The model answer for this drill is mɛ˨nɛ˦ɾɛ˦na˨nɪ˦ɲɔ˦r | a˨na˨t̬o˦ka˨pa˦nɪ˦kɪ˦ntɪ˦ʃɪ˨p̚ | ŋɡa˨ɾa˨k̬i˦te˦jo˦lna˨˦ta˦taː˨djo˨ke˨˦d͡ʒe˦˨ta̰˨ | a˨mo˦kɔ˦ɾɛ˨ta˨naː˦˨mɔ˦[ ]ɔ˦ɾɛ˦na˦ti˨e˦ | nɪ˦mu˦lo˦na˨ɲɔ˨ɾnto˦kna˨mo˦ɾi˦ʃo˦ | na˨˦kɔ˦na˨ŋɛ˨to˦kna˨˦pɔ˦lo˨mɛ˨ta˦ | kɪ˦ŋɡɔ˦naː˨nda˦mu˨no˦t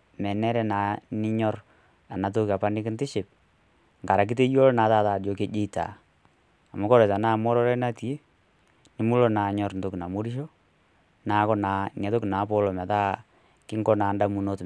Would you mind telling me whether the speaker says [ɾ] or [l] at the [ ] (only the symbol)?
ɾ